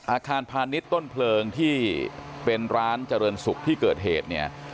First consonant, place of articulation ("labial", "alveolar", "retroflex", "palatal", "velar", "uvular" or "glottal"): glottal